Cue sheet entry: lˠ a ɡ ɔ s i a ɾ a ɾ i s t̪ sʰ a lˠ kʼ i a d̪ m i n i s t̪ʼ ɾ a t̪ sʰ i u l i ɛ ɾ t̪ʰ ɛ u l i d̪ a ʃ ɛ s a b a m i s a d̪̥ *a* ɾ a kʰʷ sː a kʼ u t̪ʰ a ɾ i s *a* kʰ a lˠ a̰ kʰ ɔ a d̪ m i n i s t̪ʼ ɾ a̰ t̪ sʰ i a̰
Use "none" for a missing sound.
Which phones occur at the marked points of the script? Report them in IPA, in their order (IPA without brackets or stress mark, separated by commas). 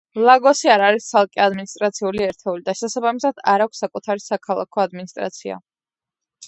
a, a